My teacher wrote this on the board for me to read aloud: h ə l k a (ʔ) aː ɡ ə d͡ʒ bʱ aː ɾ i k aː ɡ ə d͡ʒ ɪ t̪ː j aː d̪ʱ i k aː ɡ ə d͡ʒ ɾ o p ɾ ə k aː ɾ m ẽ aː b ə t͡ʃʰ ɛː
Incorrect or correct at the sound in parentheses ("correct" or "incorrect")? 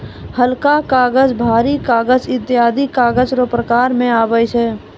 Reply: incorrect